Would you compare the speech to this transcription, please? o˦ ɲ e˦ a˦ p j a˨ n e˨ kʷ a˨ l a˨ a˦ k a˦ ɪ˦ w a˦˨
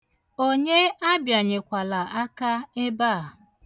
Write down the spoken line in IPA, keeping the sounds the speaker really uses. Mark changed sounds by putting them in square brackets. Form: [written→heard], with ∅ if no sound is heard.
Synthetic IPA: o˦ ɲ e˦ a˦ [p→b] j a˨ [n→ɲ] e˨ kʷ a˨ l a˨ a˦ k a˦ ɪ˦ [w→b] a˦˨